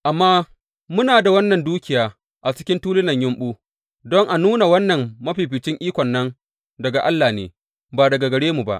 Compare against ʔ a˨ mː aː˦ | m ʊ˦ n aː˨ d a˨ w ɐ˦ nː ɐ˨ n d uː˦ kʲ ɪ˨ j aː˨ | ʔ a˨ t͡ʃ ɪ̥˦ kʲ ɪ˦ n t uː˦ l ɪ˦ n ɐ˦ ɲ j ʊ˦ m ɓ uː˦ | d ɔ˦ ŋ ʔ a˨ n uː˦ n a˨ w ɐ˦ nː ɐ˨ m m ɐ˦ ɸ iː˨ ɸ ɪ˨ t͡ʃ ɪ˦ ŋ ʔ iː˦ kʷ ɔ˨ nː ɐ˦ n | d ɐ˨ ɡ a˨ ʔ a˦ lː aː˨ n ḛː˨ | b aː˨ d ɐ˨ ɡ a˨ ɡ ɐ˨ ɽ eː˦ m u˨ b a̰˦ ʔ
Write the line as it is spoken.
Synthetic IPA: ʔ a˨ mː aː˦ | m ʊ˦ n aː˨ d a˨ w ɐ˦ nː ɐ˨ n d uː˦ kʲ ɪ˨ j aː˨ | ʔ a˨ t͡ʃ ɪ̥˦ kʲ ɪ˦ n t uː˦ l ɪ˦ n ɐ˨ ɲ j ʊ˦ m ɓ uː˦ | d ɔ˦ ŋ ʔ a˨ n uː˦ n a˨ w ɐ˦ nː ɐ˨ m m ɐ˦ ɸ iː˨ ɸ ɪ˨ t͡ʃ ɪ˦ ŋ ʔ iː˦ kʷ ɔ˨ nː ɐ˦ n | d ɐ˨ ɡ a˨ ʔ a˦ lː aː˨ n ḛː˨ | b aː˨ d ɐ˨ ɡ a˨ ɡ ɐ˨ ɽ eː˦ m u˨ b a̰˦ ʔ

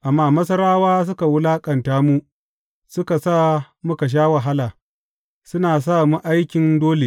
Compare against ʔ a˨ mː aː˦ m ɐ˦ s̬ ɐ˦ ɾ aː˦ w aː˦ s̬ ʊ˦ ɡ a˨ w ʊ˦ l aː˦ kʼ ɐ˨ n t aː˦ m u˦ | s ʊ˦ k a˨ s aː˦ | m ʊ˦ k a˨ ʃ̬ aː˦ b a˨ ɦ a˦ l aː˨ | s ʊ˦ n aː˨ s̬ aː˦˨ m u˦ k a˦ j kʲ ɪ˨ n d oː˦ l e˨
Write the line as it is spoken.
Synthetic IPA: ʔ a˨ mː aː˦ m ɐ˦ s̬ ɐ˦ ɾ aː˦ w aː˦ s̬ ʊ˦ k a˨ w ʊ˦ l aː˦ kʼ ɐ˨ n t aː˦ m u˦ | s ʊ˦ k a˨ s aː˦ | m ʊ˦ k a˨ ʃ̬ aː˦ w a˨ ɦ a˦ l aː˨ | s ʊ˦ n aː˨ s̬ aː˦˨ m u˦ ʔ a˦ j kʲ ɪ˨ n d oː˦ l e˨

